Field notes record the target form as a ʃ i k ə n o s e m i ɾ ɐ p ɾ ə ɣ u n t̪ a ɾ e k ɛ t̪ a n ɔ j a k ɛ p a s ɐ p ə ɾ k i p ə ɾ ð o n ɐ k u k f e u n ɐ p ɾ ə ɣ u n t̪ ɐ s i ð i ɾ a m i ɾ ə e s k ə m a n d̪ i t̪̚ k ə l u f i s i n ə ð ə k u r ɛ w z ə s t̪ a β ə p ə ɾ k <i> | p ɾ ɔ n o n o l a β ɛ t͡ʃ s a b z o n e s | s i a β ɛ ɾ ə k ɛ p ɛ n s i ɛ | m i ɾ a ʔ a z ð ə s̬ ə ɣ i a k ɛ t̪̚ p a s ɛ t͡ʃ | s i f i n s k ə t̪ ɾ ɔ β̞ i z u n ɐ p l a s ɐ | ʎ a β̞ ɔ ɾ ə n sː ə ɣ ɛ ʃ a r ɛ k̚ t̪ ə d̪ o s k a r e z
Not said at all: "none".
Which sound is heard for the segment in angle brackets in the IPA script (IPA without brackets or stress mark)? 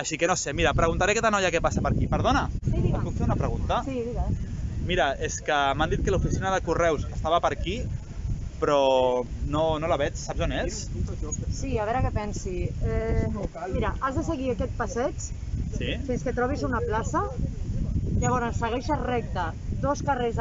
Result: i